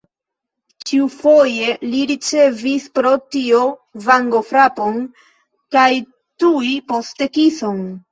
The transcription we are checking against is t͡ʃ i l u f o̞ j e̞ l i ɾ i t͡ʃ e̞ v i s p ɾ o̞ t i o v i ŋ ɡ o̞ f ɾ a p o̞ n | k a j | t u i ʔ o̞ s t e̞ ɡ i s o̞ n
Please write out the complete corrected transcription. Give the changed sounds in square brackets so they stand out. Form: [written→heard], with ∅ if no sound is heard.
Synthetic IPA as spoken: t͡ʃ i [l→∅] u f o̞ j e̞ l i ɾ i t͡ʃ e̞ v i s p ɾ o̞ t i o v [i→a] ŋ ɡ o̞ f ɾ a p o̞ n | k a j | t u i [ʔ→p] o̞ s t e̞ [ɡ→k] i s o̞ n